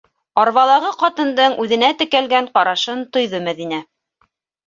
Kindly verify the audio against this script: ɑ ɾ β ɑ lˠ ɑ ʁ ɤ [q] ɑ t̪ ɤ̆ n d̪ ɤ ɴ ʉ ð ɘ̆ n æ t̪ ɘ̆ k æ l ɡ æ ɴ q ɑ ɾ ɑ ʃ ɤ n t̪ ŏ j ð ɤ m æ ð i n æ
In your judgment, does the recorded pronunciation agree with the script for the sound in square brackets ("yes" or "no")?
yes